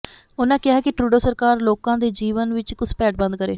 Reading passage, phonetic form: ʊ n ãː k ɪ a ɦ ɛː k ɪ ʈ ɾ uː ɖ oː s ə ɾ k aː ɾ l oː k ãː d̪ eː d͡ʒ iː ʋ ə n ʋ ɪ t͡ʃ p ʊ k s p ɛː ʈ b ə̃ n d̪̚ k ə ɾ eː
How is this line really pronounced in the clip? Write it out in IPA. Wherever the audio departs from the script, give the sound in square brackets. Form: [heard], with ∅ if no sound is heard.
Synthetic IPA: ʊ n ãː k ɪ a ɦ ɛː k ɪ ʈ ɾ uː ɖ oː s ə ɾ k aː ɾ l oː k ãː d̪ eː d͡ʒ iː ʋ ə n ʋ ɪ t͡ʃ [k] ʊ [∅] s p ɛː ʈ b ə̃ n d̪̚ k ə ɾ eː